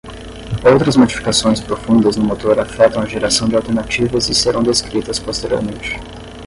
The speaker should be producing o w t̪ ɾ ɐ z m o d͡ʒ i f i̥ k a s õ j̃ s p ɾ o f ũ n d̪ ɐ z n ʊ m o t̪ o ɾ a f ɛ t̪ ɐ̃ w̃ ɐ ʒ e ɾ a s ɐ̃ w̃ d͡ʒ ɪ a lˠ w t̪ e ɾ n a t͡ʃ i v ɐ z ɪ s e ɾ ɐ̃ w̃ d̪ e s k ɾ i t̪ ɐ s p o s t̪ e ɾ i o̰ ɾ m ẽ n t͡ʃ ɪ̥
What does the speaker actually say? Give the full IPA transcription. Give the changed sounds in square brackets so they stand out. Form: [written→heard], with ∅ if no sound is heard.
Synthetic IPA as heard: o w t̪ ɾ ɐ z m o d͡ʒ i f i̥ k a s õ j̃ s p ɾ o f ũ n d̪ ɐ z n ʊ m o t̪ o ɾ a f ɛ t̪ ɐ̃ w̃ ɐ ʒ e ɾ a s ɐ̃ w̃ d͡ʒ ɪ a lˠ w t̪ e ɾ n a t͡ʃ i v ɐ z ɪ s e ɾ ɐ̃ w̃ d̪ e s k ɾ i t̪ ɐ s p o s t̪ e ɾ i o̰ ɾ m ẽ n t͡ʃ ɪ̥